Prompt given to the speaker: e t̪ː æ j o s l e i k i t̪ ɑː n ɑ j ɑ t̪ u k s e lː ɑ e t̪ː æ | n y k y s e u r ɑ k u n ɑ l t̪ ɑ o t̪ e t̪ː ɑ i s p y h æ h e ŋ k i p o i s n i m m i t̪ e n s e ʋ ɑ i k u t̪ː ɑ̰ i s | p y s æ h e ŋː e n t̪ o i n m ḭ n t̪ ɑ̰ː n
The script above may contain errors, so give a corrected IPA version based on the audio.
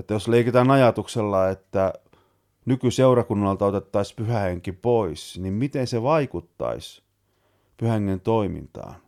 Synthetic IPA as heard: e t̪ː æ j o s l e i k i t̪ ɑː n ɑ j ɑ t̪ u k s e lː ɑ e t̪ː æ | n y k y s e u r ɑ k u nː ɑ l t̪ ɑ o t̪ e t̪ː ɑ i s p y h æ h e ŋ k i p o i s n i m m i t̪ e n s e ʋ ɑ i k u t̪ː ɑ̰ i s | p y h æ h e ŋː e n t̪ o i m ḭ n t̪ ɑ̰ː n